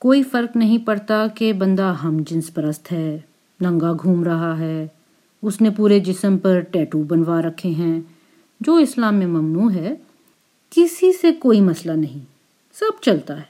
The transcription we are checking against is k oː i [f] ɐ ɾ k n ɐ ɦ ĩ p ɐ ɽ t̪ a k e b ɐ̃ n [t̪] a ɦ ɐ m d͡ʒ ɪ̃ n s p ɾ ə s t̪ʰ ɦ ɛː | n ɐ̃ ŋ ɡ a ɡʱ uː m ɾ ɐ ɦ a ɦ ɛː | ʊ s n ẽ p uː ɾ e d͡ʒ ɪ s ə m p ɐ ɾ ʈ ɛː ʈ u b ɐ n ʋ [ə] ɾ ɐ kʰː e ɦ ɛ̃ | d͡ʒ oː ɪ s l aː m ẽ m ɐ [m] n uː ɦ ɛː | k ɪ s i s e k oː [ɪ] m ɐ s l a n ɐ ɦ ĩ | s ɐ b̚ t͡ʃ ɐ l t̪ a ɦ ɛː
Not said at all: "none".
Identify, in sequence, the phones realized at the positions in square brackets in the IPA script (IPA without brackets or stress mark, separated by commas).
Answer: f, d̪, a, m, i